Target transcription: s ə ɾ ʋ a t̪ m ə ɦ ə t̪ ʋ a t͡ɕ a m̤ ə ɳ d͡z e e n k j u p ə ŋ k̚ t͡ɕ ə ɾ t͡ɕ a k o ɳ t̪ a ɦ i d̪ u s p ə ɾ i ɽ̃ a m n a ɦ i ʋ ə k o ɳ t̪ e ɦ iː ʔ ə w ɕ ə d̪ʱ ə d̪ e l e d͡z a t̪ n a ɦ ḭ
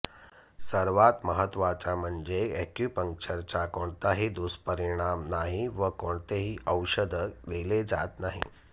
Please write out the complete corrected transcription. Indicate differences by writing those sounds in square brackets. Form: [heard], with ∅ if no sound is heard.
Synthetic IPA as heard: s ə ɾ ʋ a t̪ m ə ɦ ə t̪ ʋ a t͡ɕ a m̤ ə ɳ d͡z e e [∅] k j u p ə ŋ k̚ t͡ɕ ə ɾ t͡ɕ a k o ɳ t̪ a ɦ i d̪ u s p ə ɾ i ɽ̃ a m n a ɦ i ʋ ə k o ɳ t̪ e ɦ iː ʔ ə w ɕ ə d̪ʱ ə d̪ e l e d͡z a t̪ n a ɦ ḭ

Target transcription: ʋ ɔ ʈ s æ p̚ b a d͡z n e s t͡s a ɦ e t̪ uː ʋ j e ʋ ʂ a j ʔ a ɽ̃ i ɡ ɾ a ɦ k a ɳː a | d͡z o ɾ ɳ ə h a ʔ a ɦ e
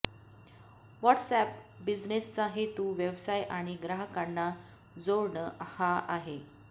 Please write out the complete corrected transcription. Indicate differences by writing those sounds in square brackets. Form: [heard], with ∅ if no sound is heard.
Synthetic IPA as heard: ʋ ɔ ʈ s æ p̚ b [i] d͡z n e s t͡s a ɦ e t̪ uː ʋ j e ʋ [s] a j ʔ a ɽ̃ i ɡ ɾ a ɦ k a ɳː a | d͡z o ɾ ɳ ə h a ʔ a ɦ e

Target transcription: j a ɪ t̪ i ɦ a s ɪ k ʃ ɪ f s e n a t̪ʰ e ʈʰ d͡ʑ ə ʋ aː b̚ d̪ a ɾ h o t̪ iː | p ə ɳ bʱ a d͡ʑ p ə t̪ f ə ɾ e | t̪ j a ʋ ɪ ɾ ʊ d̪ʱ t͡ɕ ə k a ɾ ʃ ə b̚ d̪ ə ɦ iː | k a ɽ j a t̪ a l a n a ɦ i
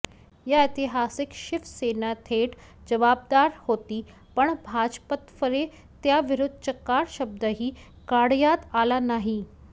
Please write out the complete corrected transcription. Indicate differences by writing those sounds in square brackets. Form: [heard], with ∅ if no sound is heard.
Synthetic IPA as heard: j a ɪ t̪ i ɦ a s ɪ k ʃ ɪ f s e n a t̪ʰ e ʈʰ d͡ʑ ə ʋ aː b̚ d̪ a ɾ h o t̪ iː | p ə ɳ bʱ a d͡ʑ p ə t̪ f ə ɾ e | t̪ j a ʋ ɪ ɾ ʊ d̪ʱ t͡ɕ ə k a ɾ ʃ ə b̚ d̪ ə ɦ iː | k a ɽ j a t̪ a l a n a ɦ i

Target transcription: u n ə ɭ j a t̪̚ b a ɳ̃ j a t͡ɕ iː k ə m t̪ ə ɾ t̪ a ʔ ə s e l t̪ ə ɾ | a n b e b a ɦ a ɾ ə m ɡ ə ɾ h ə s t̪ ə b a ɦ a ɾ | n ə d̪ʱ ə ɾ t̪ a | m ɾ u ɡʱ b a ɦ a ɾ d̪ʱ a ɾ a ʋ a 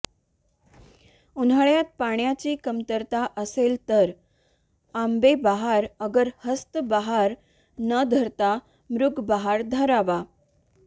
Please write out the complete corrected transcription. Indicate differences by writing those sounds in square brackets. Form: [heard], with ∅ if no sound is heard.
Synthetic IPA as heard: u n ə ɭ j a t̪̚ [p] a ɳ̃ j a t͡ɕ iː k ə m t̪ ə ɾ t̪ a ʔ ə s e l t̪ ə ɾ | a [m] b e b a ɦ a ɾ ə [∅] ɡ ə ɾ h ə s t̪ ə b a ɦ a ɾ | n ə d̪ʱ ə ɾ t̪ a | m ɾ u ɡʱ b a ɦ a ɾ d̪ʱ [ə] ɾ a ʋ a

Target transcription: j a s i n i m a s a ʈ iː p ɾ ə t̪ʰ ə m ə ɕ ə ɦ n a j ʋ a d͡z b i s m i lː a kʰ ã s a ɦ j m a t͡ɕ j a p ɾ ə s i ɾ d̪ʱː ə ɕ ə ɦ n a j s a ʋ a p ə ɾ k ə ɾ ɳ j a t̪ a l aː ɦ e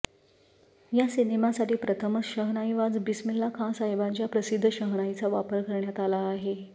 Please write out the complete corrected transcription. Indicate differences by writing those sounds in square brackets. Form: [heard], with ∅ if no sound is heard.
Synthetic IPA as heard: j a s i n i m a s a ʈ iː p ɾ ə t̪ʰ ə m ə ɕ ə ɦ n a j ʋ a d͡z b i s m i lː a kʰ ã s a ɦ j [b] a t͡ɕ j a p ɾ ə s i [∅] d̪ʱː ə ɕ ə ɦ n a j [t͡s] a ʋ a p ə ɾ k ə ɾ ɳ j a t̪ a l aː ɦ e

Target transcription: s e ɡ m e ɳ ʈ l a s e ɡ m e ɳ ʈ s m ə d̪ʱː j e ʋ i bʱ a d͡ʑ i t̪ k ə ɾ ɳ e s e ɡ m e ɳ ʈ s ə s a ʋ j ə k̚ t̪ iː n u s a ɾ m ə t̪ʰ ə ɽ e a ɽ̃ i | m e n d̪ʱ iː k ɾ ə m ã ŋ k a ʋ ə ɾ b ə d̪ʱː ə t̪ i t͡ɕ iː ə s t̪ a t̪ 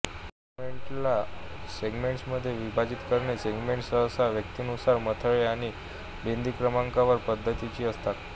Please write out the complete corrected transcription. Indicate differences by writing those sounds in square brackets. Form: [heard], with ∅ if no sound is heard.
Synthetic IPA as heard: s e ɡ m e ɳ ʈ l a s e ɡ m e ɳ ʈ s m ə d̪ʱː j e ʋ i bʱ a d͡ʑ i t̪ k ə ɾ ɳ e s e ɡ m e ɳ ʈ s ə s a ʋ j ə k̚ t̪ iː n u s a ɾ m ə t̪ʰ ə [ɭ] e a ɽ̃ i | [b] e n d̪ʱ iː k ɾ ə m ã ŋ k a ʋ ə ɾ [p] ə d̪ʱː ə t̪ i t͡ɕ iː ə s t̪ a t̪

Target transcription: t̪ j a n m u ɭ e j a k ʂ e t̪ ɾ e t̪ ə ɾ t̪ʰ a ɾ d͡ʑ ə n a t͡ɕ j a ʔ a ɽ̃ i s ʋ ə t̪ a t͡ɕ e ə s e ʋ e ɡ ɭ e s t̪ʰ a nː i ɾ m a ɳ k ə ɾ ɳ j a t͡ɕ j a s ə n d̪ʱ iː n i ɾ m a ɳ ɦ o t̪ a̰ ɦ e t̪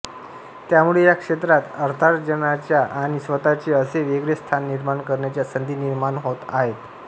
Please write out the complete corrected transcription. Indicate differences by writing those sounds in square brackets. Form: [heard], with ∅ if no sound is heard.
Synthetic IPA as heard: t̪ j a [∅] m u ɭ e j a k ʂ e t̪ ɾ [a] t̪ ə ɾ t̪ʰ a ɾ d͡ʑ ə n a t͡ɕ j a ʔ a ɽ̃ i s ʋ ə t̪ a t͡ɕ e ə s e ʋ e ɡ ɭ e s t̪ʰ a nː i ɾ m a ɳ k ə ɾ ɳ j a t͡ɕ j a s ə n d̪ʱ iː n i ɾ m a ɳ ɦ o t̪ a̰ ɦ e t̪

